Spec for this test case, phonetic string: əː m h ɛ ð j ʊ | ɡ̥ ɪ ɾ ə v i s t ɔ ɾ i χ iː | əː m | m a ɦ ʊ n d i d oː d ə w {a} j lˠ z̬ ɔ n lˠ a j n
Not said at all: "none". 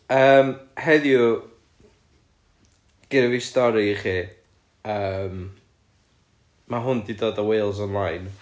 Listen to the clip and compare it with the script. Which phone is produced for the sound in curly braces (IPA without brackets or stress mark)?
e